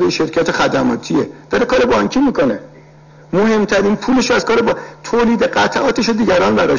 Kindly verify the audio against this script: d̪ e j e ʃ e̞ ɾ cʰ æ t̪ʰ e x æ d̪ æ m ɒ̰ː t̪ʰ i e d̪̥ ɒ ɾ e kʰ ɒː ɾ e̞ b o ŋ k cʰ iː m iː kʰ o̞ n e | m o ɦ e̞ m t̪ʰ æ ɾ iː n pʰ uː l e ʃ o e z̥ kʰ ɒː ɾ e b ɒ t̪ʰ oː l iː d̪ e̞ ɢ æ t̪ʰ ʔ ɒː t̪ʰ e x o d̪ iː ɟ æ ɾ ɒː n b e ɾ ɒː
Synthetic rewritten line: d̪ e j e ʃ e̞ ɾ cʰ æ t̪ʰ e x æ d̪ æ m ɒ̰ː t̪ʰ i e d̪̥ ɒ ɾ e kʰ ɒː ɾ e̞ b ɒ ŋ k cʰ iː m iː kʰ o̞ n e | m o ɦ e̞ m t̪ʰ æ ɾ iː n pʰ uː l e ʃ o æ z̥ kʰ ɒː ɾ e b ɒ t̪ʰ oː l iː d̪ e̞ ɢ æ t̪ʰ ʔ ɒː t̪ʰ e ʃ o d̪ iː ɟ æ ɾ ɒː n b æ ɾ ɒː